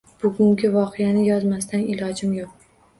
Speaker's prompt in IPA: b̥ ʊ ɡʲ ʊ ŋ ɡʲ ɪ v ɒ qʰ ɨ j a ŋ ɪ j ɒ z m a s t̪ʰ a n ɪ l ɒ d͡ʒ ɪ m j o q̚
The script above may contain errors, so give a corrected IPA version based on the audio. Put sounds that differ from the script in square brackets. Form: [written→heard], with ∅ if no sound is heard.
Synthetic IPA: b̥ ʊ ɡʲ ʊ ŋ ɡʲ ɪ v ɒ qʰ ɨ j a [ŋ→n] ɪ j ɒ z m a s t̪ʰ a n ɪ l ɒ d͡ʒ ɪ m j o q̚